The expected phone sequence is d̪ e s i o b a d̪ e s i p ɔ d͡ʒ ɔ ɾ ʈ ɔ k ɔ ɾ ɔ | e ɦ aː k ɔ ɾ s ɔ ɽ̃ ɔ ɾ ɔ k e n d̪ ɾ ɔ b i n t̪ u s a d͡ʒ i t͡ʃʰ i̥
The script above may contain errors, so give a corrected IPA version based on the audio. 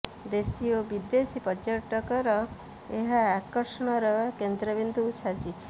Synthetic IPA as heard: d̪ e s i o b i d̪ e s i p ɔ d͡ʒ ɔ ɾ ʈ ɔ k ɔ ɾ ɔ | e ɦ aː k ɔ ɾ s ɔ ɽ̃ ɔ ɾ ɔ k e n d̪ ɾ ɔ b i n d̪ u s a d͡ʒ i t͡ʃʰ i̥